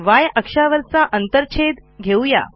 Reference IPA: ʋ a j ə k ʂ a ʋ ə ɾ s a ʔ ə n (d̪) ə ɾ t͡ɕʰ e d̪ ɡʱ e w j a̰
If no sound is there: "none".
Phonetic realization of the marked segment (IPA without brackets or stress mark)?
t̪